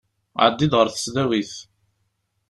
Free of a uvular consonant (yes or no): no